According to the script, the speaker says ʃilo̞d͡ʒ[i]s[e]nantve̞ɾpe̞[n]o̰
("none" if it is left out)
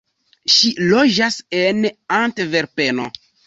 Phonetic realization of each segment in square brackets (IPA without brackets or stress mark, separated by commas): a, e, n